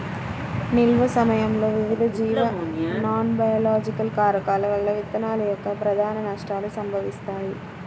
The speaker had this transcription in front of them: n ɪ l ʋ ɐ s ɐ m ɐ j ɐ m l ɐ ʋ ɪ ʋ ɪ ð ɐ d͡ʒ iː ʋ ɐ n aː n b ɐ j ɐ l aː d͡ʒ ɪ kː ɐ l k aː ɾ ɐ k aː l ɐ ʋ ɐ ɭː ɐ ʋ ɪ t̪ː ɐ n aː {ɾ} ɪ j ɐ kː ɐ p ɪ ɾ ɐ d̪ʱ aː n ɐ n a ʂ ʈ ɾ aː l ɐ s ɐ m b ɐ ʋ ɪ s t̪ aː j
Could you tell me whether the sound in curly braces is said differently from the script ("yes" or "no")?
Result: yes